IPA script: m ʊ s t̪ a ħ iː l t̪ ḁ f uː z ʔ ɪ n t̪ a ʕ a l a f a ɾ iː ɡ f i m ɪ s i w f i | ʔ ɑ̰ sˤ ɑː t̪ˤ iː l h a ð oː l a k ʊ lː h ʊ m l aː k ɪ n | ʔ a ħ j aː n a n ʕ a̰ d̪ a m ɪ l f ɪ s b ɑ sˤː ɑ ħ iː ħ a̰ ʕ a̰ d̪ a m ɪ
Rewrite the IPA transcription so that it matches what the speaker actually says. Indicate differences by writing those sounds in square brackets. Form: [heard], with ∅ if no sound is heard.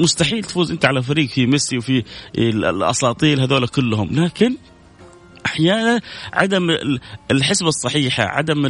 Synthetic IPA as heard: m ʊ s t̪ a ħ iː l t̪ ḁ f uː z ʔ ɪ n t̪ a ʕ a l a f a ɾ iː ɡ f i m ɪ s i w f i | ʔ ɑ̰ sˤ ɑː t̪ˤ iː l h a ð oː l a k ʊ lː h ʊ m l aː k ɪ n | ʔ a ħ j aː n a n ʕ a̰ d̪ a m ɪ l [ħ] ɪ s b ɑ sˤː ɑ ħ iː ħ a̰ ʕ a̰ d̪ a m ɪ